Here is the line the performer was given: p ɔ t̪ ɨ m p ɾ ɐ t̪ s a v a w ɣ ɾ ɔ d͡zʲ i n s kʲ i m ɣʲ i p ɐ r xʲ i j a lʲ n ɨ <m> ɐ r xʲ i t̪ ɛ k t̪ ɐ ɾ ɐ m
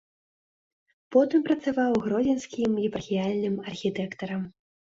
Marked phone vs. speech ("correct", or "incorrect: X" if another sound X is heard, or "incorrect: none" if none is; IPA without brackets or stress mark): correct